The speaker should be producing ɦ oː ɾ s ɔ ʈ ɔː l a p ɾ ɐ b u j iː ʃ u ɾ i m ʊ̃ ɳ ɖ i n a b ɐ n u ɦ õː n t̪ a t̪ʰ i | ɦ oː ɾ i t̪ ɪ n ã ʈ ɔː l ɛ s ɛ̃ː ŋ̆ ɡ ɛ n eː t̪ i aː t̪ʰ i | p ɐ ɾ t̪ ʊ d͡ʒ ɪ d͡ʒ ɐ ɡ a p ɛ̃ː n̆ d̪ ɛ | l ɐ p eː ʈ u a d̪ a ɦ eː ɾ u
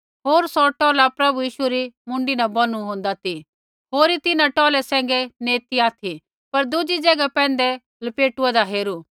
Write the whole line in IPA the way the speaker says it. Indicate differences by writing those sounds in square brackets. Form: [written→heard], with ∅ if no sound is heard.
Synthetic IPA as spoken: ɦ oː ɾ s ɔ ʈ ɔː l a p ɾ ɐ b u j iː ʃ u ɾ i m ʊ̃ ɳ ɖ i n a b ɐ n u ɦ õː n [t̪→d̪] a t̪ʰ i | ɦ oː ɾ i t̪ ɪ n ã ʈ ɔː l ɛ s ɛ̃ː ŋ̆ ɡ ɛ n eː t̪ i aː t̪ʰ i | p ɐ ɾ [t̪→d̪] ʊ d͡ʒ [ɪ→i] d͡ʒ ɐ ɡ a p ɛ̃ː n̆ d̪ ɛ | l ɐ p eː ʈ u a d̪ a ɦ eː ɾ u